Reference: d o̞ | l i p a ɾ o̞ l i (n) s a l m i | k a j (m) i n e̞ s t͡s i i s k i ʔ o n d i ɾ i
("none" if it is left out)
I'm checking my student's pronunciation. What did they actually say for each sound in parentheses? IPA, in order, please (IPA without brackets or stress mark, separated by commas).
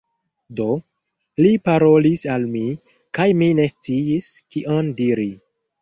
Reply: none, m